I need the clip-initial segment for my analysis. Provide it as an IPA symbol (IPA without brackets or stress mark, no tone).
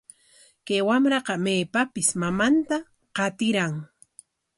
k